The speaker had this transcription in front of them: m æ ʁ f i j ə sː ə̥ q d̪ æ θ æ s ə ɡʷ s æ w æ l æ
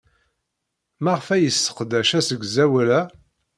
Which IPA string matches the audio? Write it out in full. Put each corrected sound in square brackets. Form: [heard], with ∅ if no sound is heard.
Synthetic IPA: m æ ʁ f [æ] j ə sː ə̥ q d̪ æ [ʃ] æ s ə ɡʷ [z] æ w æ l æ